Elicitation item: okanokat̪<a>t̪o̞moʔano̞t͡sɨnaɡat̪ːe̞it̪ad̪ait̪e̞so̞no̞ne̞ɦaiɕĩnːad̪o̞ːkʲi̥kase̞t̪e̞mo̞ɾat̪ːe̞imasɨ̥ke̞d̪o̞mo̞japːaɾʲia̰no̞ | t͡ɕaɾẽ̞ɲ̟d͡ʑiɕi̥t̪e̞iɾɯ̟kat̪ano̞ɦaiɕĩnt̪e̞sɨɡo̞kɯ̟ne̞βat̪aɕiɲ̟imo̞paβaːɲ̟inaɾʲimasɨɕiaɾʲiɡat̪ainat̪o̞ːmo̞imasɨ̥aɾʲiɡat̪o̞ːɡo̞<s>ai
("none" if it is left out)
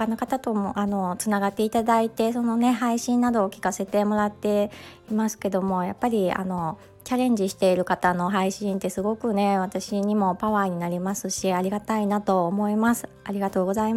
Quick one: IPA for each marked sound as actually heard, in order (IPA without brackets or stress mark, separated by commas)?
a, z